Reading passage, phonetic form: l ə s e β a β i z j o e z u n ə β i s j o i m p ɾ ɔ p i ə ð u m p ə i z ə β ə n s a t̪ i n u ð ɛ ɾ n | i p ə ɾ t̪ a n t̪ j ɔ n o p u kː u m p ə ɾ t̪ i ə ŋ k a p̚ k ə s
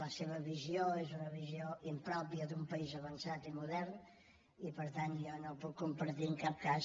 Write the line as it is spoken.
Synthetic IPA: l ə s e β ə β i z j o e z u n ə β i z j o i m p ɾ ɔ p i ə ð u m p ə i z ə β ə n s a t̪ i m u ð ɛ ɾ n | i p ə ɾ t̪ a n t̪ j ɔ n o p u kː u m p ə ɾ t̪ i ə ŋ k a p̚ k a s

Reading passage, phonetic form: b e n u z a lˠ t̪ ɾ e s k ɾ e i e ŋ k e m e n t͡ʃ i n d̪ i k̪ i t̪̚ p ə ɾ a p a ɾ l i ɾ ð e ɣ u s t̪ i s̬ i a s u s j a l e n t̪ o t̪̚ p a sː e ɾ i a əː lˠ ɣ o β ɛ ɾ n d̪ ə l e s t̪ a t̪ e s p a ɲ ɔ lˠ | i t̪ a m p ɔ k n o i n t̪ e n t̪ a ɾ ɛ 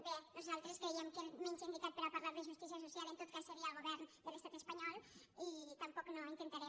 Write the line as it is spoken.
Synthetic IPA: b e n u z a lˠ t̪ ɾ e s k ɾ e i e m k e m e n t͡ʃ i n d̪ i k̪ a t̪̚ p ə ɾ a p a ɾ l a ɾ ð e ʒ u s t̪ i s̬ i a s u s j a l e n t̪ o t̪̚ k a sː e ɾ i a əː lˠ ɣ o β ɛ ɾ n d̪ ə l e s t̪ a t̪ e s p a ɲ ɔ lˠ | i t̪ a m p ɔ k n o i n t̪ e n t̪ a ɾ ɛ

